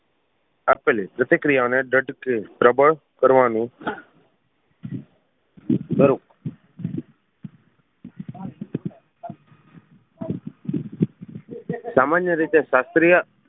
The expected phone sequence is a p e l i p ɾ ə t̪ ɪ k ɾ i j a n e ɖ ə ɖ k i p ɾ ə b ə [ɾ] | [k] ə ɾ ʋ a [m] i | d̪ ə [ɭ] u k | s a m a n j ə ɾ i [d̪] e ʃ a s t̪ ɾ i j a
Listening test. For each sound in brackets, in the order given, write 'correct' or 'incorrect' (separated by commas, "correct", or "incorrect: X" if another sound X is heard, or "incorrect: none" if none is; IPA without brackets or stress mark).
incorrect: ɭ, correct, incorrect: n, incorrect: ɾ, incorrect: t̪